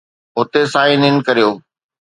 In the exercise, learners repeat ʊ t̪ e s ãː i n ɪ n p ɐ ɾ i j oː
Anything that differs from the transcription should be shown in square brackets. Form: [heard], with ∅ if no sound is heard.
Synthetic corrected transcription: ʊ t̪ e s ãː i n ɪ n [k] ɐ ɾ i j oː

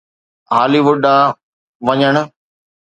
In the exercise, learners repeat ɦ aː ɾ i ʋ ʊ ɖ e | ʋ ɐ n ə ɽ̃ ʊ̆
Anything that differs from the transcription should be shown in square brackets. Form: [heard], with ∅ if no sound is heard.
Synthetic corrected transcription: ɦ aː [l] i ʋ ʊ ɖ [a] | ʋ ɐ [ɲ] ə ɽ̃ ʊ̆

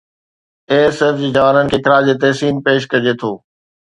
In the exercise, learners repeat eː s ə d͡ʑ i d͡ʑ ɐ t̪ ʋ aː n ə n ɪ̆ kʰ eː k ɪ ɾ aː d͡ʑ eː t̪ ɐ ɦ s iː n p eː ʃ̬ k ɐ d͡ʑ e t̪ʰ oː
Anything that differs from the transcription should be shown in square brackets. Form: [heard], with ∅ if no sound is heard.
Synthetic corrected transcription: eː s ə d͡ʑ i d͡ʑ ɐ [∅] ʋ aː n ə n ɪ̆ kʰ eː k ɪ ɾ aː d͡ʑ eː t̪ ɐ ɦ s iː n p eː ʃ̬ k ɐ d͡ʑ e t̪ʰ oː

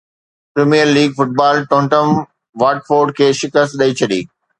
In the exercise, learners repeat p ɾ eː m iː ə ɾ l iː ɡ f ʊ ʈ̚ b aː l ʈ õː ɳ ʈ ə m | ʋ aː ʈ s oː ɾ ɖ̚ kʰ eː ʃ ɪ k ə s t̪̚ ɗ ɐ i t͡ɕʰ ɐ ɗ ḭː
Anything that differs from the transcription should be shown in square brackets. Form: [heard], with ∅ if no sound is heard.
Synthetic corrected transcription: p ɾ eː m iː ə ɾ l iː ɡ f ʊ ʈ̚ b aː l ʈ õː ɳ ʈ ə m | ʋ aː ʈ [f] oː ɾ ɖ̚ kʰ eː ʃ ɪ k ə s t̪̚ ɗ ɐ i t͡ɕʰ ɐ ɗ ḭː

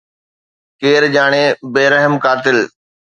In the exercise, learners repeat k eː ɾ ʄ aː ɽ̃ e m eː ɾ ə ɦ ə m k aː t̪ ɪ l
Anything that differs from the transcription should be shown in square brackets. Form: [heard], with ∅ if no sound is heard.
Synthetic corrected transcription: k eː ɾ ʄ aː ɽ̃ e [b] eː ɾ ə ɦ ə m k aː t̪ ɪ l

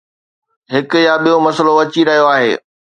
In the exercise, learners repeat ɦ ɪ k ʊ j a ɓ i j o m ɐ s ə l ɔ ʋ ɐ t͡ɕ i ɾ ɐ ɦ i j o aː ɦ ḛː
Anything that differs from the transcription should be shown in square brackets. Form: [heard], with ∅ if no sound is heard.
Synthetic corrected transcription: ɦ ɪ k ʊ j a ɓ i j o m ɐ s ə l [o] ʋ ɐ t͡ɕ i ɾ ɐ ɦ i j o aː ɦ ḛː

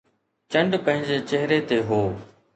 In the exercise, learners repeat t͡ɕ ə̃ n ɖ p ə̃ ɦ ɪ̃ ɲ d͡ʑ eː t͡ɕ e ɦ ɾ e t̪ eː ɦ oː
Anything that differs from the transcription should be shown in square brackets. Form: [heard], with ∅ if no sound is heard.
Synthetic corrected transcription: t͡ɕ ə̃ [ɳ] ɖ p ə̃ ɦ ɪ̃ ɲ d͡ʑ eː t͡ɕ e ɦ ɾ e t̪ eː ɦ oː

